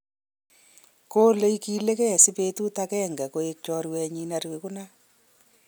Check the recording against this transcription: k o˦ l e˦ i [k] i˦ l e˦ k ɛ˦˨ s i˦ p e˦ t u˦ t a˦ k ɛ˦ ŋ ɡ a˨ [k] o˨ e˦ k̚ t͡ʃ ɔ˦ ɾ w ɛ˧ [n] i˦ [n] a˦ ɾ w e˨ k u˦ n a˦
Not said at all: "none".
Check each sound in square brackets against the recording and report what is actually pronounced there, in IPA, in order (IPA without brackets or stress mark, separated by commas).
k, k, ɲ, n